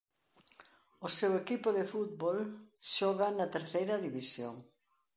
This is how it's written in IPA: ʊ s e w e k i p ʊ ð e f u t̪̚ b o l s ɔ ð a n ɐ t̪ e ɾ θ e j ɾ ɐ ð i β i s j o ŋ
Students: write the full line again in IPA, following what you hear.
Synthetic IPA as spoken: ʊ s e w e k i p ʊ ð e f u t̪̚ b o l ʃ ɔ ɣ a n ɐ t̪ e ɾ θ e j ɾ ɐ ð i β i s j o ŋ